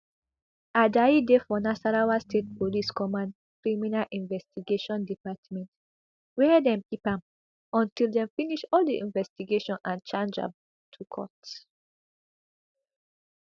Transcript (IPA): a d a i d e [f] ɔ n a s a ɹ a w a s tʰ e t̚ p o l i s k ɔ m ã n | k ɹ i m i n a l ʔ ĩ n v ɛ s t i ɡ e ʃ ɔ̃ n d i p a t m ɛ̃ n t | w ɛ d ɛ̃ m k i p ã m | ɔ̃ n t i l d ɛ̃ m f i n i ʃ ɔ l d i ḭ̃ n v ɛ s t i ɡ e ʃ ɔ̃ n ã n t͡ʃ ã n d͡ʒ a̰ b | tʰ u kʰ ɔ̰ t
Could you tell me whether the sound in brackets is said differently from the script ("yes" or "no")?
no